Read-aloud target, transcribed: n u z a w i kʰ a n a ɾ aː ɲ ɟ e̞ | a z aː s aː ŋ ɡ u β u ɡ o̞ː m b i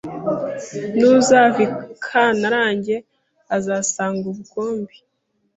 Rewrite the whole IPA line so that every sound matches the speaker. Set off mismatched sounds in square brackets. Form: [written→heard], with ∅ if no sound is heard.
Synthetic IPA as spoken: n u z a [w→v] i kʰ a n a ɾ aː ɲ ɟ e̞ | a z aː s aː ŋ ɡ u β u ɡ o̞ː m b i